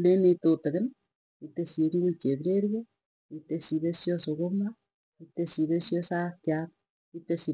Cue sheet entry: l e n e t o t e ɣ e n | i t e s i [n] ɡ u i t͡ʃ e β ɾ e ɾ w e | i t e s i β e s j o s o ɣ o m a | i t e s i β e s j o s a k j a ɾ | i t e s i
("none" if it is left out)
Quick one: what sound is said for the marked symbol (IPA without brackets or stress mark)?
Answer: ŋ